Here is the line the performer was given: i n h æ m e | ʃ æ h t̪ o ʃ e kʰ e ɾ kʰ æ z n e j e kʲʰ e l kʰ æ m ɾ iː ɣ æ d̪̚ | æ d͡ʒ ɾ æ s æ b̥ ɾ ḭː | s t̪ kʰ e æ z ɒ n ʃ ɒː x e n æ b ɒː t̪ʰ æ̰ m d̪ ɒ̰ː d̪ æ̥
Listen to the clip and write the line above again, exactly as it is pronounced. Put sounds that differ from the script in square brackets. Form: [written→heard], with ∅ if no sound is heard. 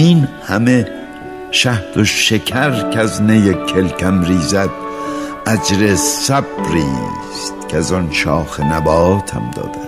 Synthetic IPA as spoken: i n h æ m e | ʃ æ h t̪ o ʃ e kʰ [e→æ] ɾ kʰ æ z n e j e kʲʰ e l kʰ æ m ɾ iː [ɣ→z] æ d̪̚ | æ d͡ʒ ɾ [æ→e] s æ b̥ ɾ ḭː | s t̪ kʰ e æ z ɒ n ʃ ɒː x e n æ b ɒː t̪ʰ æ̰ m d̪ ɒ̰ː d̪ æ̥